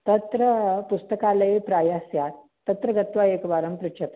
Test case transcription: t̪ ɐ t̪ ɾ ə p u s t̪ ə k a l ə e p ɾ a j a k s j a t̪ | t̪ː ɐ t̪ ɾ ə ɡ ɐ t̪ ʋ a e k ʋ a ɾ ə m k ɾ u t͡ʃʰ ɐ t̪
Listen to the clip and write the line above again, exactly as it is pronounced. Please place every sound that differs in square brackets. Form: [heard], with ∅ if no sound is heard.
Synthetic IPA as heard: t̪ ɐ t̪ ɾ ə p u s t̪ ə k a l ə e p ɾ a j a [∅] s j a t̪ | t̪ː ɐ t̪ ɾ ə ɡ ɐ t̪ ʋ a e k ʋ a ɾ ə m [p] ɾ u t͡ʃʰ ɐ t̪